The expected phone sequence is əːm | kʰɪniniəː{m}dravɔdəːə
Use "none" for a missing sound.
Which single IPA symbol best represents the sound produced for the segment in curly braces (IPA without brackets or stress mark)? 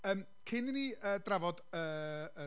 none